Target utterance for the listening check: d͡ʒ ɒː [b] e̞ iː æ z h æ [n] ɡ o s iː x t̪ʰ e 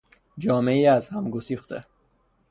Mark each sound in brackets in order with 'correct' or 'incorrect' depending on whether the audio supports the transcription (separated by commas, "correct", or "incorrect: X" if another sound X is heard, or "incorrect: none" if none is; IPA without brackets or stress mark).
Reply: incorrect: m, incorrect: m